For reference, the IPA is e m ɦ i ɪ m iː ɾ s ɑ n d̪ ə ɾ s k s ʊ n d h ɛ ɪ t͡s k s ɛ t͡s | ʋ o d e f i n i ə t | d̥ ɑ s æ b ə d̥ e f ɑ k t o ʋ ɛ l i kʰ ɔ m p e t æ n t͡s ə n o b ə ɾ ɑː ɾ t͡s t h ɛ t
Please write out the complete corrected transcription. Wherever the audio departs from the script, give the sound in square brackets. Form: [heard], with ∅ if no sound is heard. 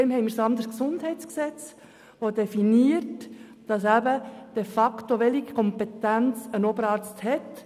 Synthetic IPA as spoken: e m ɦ [ɛ] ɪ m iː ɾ s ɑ n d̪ ə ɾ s k s ʊ n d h ɛ ɪ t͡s k s ɛ t͡s | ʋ o d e f i n i ə t | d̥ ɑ s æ b ə d̥ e f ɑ k t o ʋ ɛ l i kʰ ɔ m p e t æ n t͡s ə n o b ə ɾ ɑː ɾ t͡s t h ɛ t